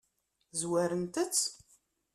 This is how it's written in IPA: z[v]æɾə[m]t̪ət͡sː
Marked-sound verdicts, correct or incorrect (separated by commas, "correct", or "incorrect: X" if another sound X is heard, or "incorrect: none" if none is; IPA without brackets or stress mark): incorrect: w, incorrect: n